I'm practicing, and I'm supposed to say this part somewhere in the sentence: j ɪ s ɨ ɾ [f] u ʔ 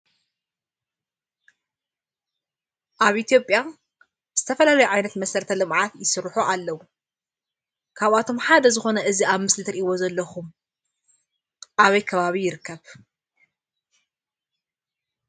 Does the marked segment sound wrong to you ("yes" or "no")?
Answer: yes